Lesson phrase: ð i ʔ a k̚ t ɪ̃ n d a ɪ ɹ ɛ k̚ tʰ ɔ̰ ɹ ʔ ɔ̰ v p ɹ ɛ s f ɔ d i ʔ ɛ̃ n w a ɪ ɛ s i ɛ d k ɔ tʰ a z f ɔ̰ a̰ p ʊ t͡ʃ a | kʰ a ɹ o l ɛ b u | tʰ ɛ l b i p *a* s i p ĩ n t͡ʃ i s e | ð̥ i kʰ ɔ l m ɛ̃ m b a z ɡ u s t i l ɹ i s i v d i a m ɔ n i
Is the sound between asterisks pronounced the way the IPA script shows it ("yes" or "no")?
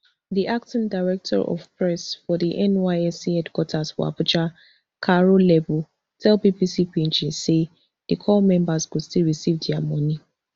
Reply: no